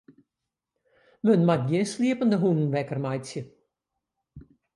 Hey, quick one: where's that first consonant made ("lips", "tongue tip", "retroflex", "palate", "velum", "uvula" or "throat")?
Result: lips